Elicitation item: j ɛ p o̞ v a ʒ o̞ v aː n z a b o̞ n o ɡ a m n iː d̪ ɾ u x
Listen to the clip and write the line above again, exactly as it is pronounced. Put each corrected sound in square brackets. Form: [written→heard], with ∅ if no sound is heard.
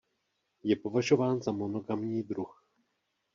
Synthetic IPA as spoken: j ɛ p o̞ v a ʒ o̞ v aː n z a [b→m] o̞ n o ɡ a m [n→ɲ] iː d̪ ɾ u x